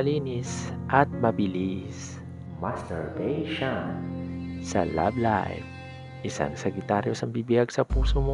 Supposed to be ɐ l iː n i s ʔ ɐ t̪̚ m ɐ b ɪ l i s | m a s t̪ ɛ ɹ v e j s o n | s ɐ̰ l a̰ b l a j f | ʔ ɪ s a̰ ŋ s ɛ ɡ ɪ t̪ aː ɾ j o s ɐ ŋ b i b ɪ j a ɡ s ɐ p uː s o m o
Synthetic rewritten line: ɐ l iː n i s ʔ ɐ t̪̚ m ɐ b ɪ l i s | m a s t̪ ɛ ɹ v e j ʃ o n | s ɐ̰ l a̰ b l a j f | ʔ ɪ s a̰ ŋ s ɛ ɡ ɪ t̪ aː ɾ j o s ɐ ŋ b i b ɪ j a ɡ s ɐ p uː s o m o